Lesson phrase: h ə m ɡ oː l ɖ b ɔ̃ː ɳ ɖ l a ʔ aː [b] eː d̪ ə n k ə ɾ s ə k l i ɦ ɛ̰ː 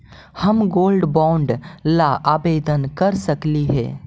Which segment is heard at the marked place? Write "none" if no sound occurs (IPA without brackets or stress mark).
b